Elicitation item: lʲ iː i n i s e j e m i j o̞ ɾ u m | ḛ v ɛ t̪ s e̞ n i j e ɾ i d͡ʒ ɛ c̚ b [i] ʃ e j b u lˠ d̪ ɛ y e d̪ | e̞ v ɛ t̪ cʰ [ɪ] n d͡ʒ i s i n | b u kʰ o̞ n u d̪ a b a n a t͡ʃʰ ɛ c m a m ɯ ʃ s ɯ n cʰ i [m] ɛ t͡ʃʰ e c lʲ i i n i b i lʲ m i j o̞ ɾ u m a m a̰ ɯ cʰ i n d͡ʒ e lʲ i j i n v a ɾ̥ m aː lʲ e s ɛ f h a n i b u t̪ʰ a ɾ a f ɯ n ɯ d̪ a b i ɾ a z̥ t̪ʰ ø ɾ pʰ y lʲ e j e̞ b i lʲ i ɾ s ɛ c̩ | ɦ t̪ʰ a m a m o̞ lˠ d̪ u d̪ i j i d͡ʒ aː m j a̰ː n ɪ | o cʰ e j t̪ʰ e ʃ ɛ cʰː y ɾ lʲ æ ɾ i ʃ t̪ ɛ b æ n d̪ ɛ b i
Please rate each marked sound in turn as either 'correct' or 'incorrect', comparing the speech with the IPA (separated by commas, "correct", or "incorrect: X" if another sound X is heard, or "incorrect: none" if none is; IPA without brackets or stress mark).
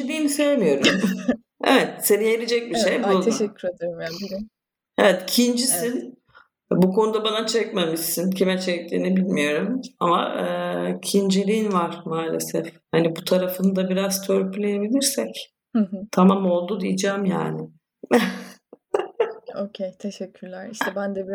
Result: correct, incorrect: i, correct